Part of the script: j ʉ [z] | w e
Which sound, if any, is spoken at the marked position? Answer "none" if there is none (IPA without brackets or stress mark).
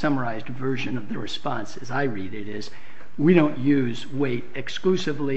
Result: z